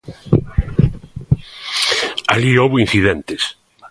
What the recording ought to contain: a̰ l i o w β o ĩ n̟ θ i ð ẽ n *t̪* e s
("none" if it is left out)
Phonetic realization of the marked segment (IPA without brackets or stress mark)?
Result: t̪